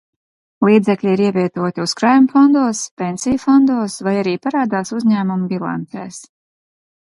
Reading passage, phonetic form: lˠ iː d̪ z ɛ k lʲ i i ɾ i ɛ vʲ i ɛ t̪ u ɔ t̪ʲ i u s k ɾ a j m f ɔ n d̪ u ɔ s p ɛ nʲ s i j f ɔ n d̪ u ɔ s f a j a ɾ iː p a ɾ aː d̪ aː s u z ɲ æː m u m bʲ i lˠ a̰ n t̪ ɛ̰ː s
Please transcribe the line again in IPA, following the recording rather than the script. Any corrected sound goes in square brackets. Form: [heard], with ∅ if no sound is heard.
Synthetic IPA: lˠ iː d̪ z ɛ k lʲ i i ɾ i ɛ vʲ i ɛ t̪ u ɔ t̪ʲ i u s k ɾ a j m f ɔ n d̪ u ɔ s p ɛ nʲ s i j f ɔ n d̪ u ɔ s [v] a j a ɾ iː p a ɾ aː d̪ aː s u z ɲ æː m u m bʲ i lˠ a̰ n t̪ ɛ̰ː s